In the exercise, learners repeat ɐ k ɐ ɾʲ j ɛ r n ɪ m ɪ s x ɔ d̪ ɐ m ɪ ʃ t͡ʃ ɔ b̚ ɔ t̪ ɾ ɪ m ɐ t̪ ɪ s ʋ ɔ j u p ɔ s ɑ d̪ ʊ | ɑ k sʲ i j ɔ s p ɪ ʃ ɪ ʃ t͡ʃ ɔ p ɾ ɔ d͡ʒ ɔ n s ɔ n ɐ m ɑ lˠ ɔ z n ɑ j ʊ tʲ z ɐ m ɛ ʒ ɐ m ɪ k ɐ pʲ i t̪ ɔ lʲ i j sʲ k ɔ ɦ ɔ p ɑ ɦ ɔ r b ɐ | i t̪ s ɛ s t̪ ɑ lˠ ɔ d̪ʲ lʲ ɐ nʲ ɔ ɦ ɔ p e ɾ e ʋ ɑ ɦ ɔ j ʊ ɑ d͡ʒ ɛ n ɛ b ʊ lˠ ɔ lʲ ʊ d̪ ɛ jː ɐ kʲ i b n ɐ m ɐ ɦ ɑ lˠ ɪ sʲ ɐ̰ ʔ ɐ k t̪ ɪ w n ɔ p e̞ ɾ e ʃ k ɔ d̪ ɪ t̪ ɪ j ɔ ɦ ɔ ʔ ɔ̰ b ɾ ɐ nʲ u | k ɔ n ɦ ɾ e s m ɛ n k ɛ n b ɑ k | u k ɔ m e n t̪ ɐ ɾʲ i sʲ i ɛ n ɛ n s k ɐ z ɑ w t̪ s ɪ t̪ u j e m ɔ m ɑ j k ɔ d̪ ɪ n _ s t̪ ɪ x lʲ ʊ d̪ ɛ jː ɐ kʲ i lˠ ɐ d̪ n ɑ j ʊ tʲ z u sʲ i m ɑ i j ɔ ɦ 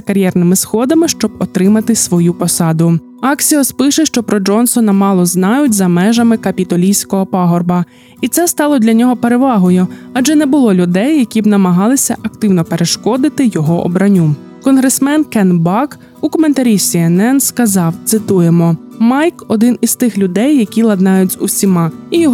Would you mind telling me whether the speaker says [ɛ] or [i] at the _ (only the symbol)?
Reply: i